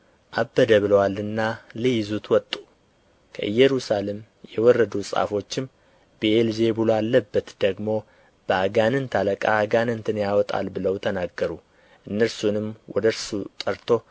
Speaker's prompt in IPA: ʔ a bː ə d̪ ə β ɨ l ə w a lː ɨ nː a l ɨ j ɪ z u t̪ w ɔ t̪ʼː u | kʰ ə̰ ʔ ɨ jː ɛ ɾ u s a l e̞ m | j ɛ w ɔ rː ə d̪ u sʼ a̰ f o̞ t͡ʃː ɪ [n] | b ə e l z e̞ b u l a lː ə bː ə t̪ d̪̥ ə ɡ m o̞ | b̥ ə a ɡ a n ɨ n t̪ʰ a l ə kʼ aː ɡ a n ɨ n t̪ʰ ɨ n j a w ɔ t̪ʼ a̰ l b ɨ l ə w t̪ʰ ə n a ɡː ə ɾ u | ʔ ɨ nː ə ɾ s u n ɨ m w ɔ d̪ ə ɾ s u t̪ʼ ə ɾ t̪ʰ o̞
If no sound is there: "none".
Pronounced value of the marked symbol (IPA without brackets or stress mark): m